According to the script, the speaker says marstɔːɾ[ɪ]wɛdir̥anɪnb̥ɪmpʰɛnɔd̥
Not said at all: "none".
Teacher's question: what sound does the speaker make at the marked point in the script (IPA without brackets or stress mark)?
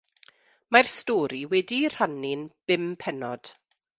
i